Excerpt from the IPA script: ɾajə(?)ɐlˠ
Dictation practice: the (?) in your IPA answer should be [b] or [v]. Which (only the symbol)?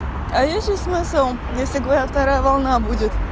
v